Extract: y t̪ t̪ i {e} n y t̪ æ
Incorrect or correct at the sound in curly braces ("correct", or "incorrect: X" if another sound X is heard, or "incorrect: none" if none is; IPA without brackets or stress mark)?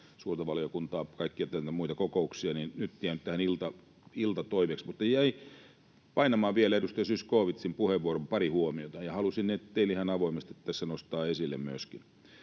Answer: incorrect: æ